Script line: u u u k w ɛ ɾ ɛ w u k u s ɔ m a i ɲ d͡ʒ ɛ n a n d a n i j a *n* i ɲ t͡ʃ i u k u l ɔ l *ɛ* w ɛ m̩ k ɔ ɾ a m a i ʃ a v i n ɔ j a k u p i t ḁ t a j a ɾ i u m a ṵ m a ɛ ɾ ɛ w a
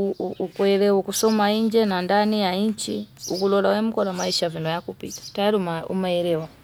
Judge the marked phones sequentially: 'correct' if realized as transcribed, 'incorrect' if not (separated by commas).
incorrect, incorrect